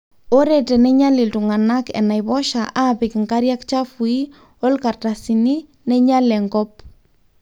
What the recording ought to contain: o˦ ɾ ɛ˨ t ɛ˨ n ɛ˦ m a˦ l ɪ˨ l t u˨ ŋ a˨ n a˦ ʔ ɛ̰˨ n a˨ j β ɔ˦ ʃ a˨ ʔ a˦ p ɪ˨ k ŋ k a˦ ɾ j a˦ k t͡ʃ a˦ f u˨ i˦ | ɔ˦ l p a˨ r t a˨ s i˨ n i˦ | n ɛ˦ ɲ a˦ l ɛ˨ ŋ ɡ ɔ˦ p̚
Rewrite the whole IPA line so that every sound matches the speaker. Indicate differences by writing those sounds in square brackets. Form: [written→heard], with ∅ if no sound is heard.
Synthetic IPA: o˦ ɾ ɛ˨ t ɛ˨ n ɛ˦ [m→ɲ] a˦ l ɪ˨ l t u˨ ŋ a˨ n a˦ [ʔ→k] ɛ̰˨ n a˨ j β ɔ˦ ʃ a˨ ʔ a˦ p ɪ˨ k ŋ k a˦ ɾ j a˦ k t͡ʃ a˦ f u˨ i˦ | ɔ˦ l [p→k] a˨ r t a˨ s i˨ n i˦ | n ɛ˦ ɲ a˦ l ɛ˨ ŋ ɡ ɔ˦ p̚